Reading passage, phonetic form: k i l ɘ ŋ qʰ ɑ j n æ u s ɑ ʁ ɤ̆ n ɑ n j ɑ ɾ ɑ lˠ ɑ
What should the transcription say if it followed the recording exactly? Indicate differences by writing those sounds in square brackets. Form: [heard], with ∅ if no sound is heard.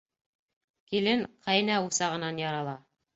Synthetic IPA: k i l ɘ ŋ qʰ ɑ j n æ u s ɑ ʁ ɤ̆ n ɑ n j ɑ ɾ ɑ lˠ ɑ